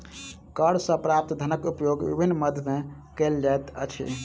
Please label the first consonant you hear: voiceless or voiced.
voiceless